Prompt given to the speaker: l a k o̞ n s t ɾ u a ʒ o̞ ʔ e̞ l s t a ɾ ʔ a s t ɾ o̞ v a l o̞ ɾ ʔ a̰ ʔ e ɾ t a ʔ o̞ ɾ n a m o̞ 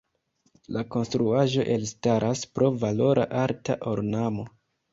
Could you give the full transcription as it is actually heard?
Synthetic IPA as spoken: l a k o̞ n s t ɾ u a ʒ o̞ ʔ e̞ l s t a ɾ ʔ a s p ɾ o̞ v a l o̞ ɾ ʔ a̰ ʔ a ɾ t a ʔ o̞ ɾ n a m o̞